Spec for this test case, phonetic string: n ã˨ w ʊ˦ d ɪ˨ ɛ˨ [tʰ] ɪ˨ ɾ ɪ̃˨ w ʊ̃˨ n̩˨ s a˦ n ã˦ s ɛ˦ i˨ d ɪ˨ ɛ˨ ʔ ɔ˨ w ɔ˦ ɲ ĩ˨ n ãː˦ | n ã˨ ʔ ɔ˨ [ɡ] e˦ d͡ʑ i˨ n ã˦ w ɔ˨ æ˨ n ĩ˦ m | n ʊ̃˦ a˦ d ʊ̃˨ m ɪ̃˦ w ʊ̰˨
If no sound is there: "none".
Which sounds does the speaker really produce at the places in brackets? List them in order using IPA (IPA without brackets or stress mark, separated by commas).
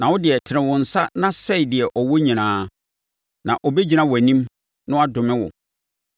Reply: tʰ, b